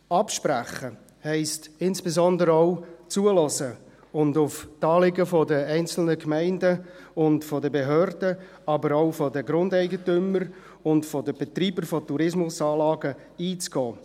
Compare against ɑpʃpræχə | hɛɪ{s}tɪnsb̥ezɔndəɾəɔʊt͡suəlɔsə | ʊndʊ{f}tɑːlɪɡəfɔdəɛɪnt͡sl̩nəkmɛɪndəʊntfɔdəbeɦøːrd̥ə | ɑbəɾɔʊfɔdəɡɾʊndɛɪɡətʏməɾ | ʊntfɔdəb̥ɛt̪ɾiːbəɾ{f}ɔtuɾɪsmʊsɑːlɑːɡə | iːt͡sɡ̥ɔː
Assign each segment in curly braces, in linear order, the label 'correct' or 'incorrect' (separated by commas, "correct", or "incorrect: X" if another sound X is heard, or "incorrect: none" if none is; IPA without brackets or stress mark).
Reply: correct, correct, correct